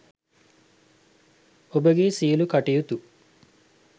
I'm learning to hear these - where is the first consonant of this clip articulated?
lips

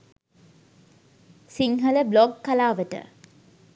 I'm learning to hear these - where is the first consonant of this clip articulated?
tongue tip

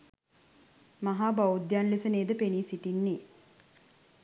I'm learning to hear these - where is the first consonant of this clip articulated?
lips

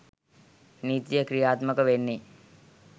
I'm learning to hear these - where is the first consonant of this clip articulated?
tongue tip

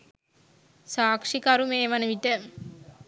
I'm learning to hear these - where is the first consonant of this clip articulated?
tongue tip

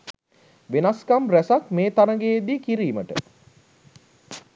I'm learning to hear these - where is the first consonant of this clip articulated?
lips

